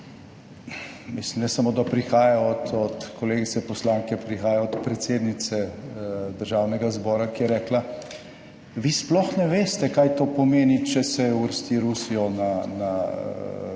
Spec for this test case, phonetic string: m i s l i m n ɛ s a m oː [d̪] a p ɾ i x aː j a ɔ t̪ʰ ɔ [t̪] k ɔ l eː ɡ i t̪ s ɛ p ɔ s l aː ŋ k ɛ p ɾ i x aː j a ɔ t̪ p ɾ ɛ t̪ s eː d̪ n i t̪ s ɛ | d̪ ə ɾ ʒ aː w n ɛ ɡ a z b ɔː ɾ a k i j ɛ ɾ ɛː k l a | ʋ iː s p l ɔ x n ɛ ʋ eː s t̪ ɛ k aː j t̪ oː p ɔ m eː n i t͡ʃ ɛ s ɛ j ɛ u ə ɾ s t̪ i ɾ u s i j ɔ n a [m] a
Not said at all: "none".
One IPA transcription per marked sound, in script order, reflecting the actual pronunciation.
d̪, t̪, n

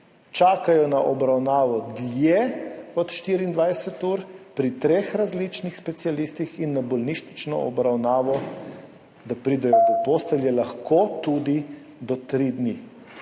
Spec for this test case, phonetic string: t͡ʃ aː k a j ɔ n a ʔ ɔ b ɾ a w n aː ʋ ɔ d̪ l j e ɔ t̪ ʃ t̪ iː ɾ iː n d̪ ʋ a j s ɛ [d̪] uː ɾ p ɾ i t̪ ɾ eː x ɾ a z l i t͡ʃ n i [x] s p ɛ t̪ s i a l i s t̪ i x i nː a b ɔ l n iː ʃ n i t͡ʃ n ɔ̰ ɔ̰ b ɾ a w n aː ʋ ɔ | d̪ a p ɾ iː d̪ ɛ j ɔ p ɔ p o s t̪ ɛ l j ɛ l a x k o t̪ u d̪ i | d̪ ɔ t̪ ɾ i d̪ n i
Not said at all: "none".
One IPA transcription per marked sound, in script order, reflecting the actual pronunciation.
t̪, x

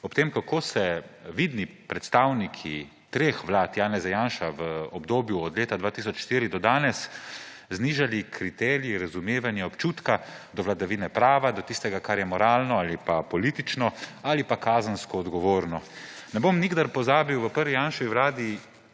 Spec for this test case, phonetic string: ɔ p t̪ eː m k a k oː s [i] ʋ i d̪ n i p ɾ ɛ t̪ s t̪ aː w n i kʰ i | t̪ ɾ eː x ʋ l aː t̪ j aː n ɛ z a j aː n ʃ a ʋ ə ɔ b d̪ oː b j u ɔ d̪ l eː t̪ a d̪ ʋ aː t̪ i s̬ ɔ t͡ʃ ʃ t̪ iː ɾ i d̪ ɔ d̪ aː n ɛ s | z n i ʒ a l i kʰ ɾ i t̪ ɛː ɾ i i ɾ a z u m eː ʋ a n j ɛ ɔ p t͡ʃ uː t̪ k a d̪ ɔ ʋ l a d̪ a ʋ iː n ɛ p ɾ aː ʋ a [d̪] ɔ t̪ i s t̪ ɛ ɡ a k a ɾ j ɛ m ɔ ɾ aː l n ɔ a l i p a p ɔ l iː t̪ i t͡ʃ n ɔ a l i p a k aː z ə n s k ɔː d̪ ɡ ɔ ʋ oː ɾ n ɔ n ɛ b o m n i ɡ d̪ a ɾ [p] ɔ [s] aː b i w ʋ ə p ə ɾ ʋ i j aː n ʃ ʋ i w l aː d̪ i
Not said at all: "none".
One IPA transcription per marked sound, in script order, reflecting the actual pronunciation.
ɛ, d̪, p, z

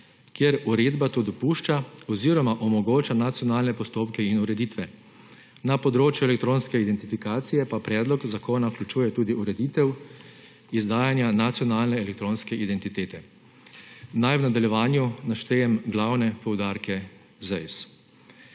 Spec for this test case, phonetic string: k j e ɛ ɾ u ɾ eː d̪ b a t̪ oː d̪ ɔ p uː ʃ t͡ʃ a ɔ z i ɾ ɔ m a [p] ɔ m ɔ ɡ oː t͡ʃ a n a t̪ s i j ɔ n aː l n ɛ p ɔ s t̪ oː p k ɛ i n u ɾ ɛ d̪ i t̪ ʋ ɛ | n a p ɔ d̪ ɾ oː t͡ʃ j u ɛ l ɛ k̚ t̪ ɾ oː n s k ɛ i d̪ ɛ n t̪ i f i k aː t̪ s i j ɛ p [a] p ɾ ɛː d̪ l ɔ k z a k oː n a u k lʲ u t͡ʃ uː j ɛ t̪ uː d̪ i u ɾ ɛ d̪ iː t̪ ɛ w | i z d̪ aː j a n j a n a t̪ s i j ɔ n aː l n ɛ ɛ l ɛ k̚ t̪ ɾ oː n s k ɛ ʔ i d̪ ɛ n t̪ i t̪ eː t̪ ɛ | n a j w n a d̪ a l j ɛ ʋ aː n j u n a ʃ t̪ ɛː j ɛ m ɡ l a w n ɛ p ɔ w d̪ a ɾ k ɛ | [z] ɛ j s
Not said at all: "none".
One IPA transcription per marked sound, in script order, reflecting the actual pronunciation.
ʔ, a, z

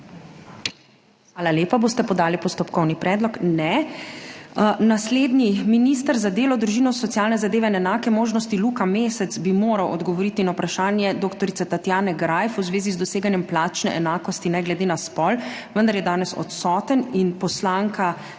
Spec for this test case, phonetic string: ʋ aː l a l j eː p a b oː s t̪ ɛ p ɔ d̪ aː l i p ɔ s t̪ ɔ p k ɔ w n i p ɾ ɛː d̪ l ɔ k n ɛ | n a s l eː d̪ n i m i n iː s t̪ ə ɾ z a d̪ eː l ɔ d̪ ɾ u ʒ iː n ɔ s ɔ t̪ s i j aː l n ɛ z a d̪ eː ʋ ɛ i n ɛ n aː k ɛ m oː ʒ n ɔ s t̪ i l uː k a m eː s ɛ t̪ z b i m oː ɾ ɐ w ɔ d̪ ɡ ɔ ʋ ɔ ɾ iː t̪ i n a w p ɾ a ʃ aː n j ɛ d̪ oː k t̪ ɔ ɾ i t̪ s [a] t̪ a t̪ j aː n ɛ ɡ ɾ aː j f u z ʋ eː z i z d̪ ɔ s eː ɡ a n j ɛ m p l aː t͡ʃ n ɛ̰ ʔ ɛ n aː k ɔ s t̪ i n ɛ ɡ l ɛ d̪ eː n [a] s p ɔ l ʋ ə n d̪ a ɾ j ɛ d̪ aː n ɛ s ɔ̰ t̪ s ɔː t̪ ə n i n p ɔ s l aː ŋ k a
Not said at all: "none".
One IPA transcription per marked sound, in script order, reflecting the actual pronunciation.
ɛ, a

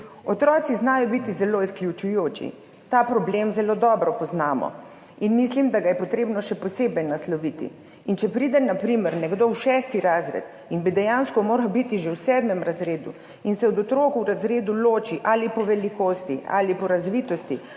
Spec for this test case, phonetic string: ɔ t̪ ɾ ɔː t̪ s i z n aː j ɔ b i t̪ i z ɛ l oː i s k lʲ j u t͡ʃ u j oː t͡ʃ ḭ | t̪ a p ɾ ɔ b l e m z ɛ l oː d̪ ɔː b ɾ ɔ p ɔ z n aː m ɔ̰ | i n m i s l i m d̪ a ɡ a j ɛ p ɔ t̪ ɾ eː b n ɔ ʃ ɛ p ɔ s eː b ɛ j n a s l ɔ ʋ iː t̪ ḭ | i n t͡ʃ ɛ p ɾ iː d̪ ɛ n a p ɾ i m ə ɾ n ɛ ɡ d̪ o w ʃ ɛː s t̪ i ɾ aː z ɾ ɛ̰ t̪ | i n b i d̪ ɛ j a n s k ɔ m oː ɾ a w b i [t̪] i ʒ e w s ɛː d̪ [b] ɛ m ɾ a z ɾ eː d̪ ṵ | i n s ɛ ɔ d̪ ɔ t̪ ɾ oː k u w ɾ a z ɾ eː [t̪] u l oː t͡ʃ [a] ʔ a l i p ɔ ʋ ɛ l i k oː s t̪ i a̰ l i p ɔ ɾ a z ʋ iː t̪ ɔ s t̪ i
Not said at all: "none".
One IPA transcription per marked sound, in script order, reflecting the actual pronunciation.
t̪, m, d̪, i

